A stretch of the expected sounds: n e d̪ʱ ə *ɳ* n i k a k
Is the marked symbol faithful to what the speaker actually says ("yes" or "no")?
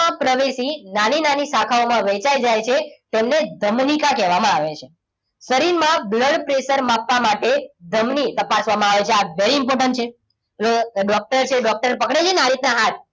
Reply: no